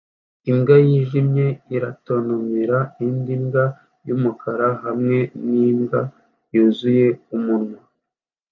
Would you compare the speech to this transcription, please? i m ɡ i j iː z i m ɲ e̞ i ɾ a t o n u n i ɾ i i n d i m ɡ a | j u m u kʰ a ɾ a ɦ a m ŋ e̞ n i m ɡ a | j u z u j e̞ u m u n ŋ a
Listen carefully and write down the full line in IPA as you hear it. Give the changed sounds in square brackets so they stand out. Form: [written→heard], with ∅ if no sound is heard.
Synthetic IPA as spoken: i m ɡ [i→a] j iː [z→ʒ] i m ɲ e̞ i ɾ a t o n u [n→m] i ɾ [i→a] i n d i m ɡ a | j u m u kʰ a ɾ a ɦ a m ŋ e̞ n i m ɡ a | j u z u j e̞ u m u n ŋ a